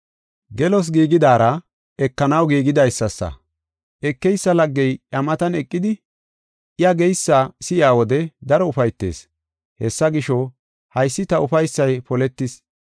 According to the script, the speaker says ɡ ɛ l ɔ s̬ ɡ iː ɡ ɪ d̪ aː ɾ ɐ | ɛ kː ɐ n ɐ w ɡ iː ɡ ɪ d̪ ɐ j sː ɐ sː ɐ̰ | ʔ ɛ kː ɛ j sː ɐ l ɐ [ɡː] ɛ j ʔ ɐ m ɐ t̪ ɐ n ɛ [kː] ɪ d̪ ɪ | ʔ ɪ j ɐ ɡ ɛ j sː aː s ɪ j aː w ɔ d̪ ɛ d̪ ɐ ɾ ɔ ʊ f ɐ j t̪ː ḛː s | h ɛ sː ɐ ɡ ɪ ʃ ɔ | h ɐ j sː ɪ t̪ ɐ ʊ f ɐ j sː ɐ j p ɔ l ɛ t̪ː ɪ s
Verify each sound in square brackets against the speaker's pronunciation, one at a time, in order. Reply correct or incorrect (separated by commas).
correct, incorrect